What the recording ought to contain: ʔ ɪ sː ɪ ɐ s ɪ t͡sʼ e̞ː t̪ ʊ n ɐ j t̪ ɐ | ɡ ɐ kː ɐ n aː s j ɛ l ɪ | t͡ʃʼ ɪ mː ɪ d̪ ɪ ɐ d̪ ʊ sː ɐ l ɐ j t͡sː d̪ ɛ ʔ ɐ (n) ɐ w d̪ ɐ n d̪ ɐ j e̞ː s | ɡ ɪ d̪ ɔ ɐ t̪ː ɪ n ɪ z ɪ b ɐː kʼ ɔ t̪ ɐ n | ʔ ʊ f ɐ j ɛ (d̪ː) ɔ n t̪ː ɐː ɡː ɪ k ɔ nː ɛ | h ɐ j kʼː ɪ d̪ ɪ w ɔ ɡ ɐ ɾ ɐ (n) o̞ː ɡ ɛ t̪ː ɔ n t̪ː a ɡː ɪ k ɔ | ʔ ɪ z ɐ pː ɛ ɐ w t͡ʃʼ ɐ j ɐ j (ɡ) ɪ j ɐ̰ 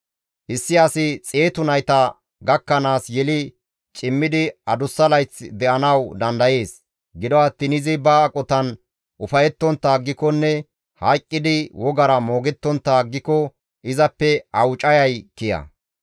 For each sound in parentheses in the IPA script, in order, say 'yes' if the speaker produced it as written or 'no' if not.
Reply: yes, no, no, no

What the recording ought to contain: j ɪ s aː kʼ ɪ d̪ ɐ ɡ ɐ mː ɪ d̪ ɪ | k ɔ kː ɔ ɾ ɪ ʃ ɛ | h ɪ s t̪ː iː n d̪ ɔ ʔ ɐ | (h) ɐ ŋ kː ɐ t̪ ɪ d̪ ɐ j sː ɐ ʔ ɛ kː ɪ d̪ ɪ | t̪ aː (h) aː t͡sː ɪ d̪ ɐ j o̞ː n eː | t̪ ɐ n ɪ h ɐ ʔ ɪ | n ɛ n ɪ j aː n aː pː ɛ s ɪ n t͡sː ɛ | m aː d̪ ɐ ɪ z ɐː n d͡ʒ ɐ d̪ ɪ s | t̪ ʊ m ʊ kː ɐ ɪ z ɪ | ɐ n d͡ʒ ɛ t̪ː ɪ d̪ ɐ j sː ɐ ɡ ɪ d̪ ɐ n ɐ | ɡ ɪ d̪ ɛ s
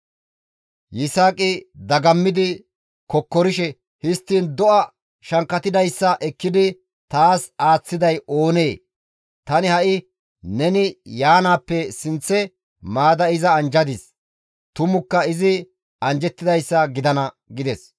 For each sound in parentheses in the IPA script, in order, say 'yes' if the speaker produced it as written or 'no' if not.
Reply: no, no

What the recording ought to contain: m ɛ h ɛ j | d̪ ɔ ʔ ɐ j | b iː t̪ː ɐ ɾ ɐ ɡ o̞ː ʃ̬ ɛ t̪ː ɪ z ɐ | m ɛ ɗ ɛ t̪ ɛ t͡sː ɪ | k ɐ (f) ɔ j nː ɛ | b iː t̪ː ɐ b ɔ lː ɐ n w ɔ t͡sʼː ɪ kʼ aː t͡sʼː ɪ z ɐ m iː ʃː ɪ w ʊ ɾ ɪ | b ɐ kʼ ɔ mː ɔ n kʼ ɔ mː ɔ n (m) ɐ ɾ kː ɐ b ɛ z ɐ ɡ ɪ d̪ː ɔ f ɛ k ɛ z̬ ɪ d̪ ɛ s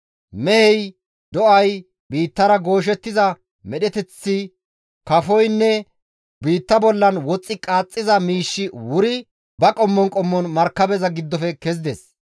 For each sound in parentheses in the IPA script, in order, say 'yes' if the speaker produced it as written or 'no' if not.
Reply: yes, yes

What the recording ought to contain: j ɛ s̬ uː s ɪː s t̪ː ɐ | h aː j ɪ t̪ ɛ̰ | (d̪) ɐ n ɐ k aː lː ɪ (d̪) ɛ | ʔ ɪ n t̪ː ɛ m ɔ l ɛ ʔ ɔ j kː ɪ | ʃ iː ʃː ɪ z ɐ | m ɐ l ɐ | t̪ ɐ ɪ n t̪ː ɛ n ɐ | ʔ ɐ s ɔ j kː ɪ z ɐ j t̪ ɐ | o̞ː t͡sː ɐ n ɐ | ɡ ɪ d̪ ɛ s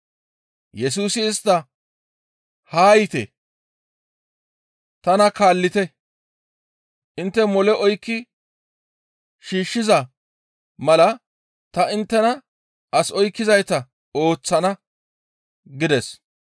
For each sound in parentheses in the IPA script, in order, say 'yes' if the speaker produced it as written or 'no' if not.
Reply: no, no

